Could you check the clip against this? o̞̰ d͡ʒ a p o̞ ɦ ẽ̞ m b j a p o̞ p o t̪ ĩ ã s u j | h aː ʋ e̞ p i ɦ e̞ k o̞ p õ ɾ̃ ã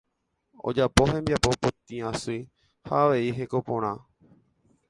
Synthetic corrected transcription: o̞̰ d͡ʒ a p o̞ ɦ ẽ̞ m b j a p o̞ p o t̪ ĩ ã s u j | h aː ʋ e̞ i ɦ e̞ k o̞ p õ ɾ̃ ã